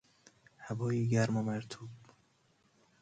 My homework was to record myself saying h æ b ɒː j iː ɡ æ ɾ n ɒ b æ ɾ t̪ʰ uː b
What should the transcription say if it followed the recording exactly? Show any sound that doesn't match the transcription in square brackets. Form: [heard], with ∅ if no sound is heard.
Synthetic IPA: h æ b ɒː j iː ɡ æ ɾ [m] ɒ [m] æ ɾ t̪ʰ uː b